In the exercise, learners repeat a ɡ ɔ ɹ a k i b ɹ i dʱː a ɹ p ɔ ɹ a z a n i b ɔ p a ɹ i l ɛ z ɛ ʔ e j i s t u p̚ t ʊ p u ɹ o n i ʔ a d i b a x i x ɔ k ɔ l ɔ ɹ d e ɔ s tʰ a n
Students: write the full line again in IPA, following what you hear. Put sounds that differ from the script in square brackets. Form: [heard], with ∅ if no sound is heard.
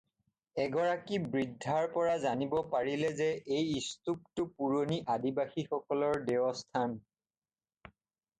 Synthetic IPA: [ɛ] ɡ ɔ ɹ a k i b ɹ i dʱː a ɹ p ɔ ɹ a z a n i b ɔ p a ɹ i l ɛ z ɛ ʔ e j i s t u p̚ t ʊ p u ɹ o n i ʔ a d i b a x i x ɔ k ɔ l ɔ ɹ d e ɔ s tʰ a n